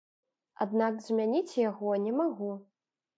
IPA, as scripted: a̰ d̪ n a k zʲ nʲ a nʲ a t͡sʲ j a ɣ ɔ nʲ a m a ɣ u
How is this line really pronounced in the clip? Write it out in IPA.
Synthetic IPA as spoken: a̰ d̪ n a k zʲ mʲ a nʲ i t͡sʲ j a ɣ ɔ nʲ ɛ m a ɣ u